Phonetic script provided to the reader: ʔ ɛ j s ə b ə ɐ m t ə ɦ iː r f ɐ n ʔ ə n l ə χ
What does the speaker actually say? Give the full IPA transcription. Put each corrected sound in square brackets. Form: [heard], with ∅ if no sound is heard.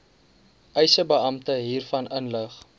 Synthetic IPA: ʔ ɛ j s ə b ə ɐ m t ə ɦ iː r f ɐ n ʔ ə n l ə χ